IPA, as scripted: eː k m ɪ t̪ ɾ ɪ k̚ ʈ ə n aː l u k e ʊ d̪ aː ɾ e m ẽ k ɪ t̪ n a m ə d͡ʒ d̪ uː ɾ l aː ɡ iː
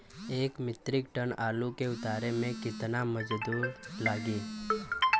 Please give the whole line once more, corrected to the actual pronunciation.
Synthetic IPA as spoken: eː k m ɪ t̪ ɾ ɪ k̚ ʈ ə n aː l u k e ʊ t̪ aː ɾ e m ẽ k ɪ t̪ n a m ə d͡ʒ d̪ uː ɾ l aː ɡ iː